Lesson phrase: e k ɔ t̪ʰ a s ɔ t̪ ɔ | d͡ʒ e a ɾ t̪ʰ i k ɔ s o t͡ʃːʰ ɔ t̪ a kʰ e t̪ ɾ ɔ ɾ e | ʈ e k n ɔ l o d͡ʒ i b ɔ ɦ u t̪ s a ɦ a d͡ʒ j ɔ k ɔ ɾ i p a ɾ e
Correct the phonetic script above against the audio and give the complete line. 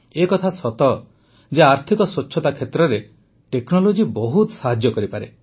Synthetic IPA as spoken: e k ɔ t̪ʰ a s ɔ t̪ ɔ | d͡ʒ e a ɾ t̪ʰ i k ɔ s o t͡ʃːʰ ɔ t̪ a kʰ e t̪ ɾ ɔ ɾ e | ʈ e k n ɔ l o d͡ʒ i b ɔ ɦ u t̪ s a ɦ a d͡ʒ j ɔ k ɔ ɾ i p a ɾ e